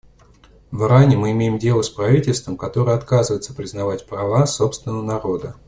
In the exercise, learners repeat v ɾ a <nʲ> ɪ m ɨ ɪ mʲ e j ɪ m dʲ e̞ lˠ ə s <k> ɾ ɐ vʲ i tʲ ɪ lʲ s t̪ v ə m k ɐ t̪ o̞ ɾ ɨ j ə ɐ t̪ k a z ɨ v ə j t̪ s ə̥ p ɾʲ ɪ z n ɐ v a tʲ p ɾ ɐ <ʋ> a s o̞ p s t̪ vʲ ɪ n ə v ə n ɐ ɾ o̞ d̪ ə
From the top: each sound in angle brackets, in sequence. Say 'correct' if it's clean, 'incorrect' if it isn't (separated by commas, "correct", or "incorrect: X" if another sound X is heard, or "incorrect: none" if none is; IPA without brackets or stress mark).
correct, incorrect: p, incorrect: v